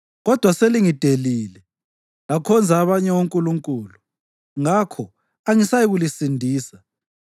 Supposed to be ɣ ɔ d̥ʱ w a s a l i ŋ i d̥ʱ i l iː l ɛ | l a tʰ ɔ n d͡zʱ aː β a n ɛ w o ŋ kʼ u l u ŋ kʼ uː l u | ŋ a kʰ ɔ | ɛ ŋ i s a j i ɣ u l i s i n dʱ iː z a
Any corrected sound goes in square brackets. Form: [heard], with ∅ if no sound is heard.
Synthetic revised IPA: ɣ ɔ d̥ʱ w a s [e] l i ŋ i d̥ʱ [e] l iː l ɛ | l a [kʰ] ɔ n d͡zʱ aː β a [ɲ] ɛ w o ŋ kʼ u l u ŋ kʼ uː l u | ŋ a kʰ ɔ | [a] ŋ i s a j i ɣ u l i s i n dʱ iː [s] a